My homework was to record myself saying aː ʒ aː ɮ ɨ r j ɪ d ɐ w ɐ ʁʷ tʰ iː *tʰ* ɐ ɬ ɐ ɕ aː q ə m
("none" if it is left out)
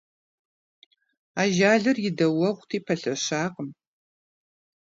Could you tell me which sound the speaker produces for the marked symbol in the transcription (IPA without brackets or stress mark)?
pʰ